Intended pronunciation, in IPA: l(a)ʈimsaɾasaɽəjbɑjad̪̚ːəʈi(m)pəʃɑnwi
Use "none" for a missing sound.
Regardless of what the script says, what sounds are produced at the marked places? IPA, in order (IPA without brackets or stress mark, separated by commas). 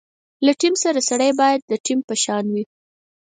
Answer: a, m